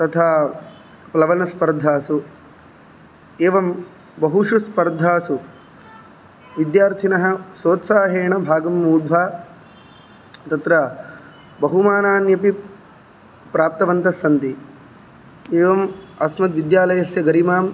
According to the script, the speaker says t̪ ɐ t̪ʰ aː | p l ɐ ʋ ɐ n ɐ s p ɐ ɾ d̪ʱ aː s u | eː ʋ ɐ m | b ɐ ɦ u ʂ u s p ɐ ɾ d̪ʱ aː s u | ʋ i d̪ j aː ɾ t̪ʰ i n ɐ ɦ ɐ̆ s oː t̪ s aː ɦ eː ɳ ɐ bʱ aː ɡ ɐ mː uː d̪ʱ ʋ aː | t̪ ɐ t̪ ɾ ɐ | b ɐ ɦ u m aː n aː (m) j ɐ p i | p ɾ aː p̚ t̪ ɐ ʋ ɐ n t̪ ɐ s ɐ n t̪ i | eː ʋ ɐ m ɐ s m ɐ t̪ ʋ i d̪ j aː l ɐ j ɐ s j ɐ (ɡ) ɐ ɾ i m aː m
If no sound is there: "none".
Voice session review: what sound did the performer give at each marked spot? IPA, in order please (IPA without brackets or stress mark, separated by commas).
n, ɡ